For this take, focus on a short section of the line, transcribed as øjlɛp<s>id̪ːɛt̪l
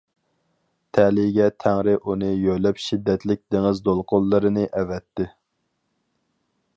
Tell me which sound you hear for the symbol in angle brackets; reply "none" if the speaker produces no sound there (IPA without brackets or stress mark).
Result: ʃ